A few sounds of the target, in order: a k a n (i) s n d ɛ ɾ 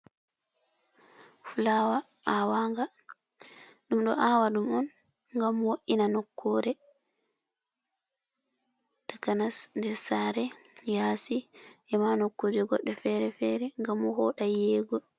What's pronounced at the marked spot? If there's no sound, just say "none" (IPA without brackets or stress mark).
a